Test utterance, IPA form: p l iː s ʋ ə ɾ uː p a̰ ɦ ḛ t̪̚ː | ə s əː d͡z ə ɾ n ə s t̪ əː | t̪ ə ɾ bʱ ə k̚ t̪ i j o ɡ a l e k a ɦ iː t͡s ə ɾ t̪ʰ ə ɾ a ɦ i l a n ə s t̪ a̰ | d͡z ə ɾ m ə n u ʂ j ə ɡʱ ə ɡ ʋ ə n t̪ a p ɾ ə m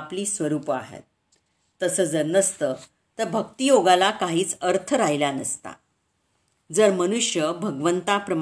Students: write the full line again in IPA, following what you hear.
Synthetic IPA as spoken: p l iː s ʋ ə ɾ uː p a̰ ɦ ḛ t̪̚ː | ə s əː d͡z ə ɾ n ə s t̪ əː | t̪ ə ɾ bʱ ə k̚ t̪ i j o ɡ a l a k a ɦ iː t͡s ə ɾ t̪ʰ ə ɾ a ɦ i l a n ə s t̪ a̰ | d͡z ə ɾ m ə n u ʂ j ə bʱ ə ɡ ʋ ə n t̪ a p ɾ ə m